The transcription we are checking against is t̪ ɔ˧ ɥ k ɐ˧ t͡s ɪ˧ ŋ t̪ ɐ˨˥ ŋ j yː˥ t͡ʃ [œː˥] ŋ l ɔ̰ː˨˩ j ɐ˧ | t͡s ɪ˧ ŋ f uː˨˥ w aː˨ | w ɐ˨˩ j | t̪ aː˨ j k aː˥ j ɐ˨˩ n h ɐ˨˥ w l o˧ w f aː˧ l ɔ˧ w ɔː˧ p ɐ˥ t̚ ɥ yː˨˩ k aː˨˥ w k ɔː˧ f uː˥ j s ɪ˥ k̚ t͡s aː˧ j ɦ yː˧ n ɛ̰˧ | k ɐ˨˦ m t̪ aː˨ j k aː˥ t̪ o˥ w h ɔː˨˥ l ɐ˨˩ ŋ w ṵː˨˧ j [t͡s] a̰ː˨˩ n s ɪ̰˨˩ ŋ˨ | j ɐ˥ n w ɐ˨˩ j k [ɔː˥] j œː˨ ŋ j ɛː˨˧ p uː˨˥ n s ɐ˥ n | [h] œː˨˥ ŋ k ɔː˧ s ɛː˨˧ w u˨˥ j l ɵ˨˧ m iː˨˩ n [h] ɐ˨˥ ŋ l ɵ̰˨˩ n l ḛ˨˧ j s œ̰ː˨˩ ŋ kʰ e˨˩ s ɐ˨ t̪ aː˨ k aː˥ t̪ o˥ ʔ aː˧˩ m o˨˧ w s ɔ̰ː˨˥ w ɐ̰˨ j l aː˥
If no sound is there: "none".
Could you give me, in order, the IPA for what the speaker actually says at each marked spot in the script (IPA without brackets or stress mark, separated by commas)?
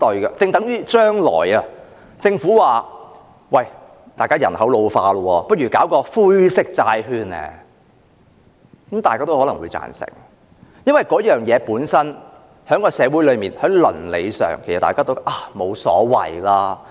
œː˥, t͡s, ɔː˨˥, h, h